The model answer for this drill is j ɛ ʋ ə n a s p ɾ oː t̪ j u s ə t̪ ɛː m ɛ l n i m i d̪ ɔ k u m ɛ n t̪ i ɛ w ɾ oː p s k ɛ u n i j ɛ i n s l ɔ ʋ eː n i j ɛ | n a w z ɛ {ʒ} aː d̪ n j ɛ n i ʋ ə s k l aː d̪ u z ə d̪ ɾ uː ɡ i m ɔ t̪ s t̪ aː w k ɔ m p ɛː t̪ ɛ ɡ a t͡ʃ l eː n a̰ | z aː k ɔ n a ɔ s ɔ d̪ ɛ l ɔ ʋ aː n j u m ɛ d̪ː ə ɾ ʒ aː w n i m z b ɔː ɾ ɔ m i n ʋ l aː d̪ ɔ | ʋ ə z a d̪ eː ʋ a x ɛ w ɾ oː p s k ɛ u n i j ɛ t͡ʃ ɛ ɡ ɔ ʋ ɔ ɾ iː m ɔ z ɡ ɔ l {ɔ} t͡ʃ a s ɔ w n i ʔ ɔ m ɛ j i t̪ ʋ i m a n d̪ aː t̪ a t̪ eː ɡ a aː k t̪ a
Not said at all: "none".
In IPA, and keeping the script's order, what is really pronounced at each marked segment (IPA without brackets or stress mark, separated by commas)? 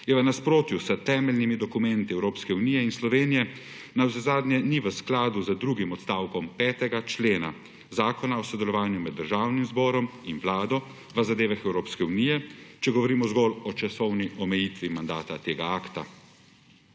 z, ɔ